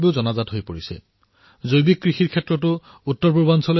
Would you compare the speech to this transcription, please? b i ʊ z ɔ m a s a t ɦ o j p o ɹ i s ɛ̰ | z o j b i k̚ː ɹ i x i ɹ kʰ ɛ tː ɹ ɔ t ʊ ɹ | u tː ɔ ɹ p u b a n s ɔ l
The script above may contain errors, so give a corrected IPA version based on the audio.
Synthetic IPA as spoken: b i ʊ z ɔ n a z a t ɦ o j p o ɹ i s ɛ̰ | z o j b i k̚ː ɹ i x i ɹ kʰ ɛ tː ɹ ɔ t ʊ | u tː ɔ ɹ p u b a n s ɔ l